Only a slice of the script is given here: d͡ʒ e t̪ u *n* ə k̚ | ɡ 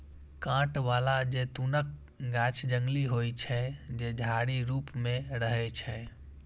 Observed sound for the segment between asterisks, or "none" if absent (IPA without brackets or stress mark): n